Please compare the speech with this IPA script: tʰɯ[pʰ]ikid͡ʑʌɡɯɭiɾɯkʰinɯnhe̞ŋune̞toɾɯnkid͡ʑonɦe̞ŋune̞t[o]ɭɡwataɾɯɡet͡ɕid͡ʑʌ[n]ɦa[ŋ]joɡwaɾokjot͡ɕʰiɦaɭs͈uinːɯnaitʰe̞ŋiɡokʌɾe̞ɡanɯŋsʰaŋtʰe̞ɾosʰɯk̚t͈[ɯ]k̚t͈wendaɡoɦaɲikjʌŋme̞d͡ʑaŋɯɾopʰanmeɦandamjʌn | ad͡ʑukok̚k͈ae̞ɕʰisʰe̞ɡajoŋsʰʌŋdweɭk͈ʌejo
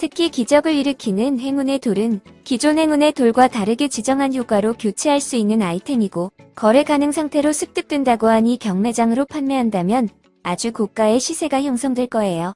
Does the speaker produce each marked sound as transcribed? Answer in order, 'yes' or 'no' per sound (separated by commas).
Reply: no, yes, no, no, yes